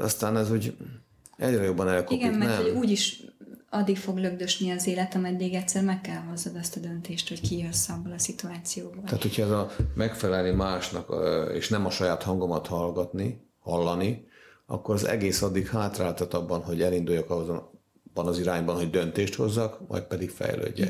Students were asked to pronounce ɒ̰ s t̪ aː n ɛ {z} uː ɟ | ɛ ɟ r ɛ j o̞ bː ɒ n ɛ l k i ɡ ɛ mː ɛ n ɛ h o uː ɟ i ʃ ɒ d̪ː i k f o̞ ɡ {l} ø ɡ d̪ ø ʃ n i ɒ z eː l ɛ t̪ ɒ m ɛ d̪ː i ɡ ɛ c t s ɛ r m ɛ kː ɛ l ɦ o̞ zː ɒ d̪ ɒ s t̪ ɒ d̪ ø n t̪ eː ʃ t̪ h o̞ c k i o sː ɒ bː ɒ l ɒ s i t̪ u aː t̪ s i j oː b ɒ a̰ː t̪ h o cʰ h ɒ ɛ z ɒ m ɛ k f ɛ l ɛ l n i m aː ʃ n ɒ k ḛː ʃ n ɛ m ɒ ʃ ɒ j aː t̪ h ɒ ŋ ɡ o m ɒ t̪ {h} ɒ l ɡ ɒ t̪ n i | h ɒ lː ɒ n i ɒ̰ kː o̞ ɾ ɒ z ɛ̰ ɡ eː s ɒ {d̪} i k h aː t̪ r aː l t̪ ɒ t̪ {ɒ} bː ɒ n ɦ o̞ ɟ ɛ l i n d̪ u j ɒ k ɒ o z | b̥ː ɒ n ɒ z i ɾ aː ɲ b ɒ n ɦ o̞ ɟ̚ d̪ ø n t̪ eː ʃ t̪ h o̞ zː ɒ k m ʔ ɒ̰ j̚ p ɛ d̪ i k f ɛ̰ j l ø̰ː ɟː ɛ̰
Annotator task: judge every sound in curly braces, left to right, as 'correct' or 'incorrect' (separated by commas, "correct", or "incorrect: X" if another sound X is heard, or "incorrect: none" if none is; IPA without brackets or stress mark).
correct, correct, correct, incorrect: d̪ː, correct